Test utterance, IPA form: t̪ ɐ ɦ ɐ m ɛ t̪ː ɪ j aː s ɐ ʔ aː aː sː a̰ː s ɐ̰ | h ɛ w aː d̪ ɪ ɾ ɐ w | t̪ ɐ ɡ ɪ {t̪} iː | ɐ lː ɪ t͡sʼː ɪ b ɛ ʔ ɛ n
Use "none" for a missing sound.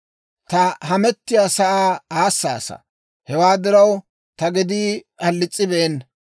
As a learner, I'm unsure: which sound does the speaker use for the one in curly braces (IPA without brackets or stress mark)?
d̪